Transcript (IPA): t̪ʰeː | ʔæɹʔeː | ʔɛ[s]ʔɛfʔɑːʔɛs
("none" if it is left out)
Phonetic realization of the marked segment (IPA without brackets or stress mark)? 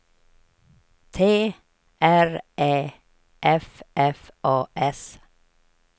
f